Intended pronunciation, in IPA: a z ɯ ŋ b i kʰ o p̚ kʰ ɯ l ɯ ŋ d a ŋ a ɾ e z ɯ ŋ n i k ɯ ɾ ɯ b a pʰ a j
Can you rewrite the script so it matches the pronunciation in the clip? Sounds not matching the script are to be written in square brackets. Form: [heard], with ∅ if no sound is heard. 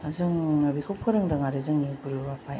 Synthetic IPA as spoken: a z ɯ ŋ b i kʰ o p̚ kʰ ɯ [ɾ] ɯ ŋ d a ŋ a ɾ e z ɯ ŋ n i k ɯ ɾ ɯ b a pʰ a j